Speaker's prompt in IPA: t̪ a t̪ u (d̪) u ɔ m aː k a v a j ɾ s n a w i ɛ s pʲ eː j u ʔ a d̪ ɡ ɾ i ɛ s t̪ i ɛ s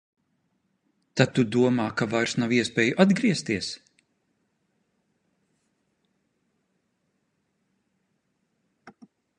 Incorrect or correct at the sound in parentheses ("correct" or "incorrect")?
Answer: correct